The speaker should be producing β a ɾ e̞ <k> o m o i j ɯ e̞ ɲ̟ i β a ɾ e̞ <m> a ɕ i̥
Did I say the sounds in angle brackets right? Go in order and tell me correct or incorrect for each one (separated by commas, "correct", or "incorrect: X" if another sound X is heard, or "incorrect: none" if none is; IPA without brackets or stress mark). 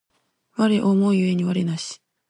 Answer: incorrect: ʔ, incorrect: n